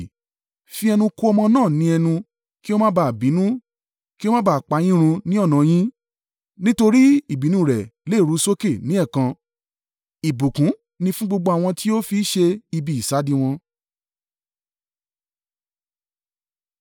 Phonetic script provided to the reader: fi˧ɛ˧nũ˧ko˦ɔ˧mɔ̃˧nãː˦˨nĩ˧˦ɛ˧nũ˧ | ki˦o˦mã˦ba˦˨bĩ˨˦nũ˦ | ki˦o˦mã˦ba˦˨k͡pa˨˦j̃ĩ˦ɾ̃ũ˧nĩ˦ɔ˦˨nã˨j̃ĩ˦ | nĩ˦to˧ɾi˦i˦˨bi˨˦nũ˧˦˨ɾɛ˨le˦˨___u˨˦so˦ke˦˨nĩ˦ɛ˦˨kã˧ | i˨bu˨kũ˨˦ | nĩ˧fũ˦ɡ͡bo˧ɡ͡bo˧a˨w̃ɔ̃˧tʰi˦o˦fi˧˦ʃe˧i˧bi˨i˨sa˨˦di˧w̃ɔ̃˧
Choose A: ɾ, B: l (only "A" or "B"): A